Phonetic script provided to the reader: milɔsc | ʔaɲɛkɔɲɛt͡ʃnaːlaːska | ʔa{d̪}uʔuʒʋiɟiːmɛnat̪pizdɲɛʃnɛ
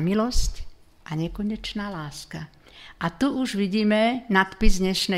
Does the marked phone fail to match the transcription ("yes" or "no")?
yes